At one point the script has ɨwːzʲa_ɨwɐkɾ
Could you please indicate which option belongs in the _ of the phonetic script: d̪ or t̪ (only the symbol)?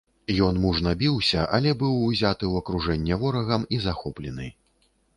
t̪